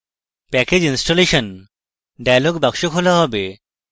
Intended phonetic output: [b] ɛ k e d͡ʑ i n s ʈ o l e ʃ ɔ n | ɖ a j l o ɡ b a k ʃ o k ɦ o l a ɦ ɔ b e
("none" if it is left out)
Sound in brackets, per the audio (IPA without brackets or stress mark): p